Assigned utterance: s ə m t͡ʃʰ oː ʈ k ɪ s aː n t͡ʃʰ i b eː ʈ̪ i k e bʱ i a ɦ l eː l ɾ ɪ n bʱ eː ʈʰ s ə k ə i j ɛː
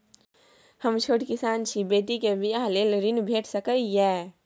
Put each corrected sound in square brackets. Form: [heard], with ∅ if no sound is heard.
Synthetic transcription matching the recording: [h] ə m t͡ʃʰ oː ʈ k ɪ s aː n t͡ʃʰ i b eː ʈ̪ i k e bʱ i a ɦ l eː l ɾ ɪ n bʱ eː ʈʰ s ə k ə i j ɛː